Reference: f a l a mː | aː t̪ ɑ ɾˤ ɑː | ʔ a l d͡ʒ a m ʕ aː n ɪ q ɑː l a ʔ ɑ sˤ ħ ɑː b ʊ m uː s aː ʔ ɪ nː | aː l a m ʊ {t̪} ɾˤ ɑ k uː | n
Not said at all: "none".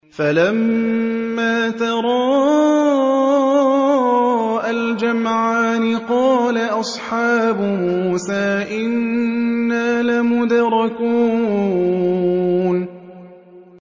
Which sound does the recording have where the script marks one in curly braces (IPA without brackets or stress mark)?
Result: d̪